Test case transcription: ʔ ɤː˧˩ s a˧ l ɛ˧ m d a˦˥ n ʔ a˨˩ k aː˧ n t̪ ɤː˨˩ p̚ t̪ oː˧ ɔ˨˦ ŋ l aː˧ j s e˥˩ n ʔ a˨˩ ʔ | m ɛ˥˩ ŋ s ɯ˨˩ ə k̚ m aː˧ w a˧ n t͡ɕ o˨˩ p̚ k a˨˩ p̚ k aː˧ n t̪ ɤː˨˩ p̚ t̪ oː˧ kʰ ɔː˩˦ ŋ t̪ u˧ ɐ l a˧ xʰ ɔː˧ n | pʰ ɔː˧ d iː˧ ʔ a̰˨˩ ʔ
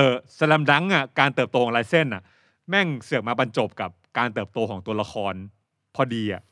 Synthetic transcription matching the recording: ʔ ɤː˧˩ s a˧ l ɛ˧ m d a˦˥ ŋ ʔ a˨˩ k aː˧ n t̪ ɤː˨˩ p̚ t̪ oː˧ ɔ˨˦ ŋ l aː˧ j s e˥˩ n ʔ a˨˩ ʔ | m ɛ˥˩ ŋ s ɯ˨˩ ə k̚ m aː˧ b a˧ n t͡ɕ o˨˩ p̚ k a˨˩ p̚ k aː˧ n t̪ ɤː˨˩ p̚ t̪ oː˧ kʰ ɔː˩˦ ŋ t̪ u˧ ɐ l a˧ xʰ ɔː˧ n | pʰ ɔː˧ d iː˧ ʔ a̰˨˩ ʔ